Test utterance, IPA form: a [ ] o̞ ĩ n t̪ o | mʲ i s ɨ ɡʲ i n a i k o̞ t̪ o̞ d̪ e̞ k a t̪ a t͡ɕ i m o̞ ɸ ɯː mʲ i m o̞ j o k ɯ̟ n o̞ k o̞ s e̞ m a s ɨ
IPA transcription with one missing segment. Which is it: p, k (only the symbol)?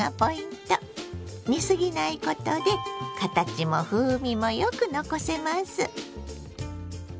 p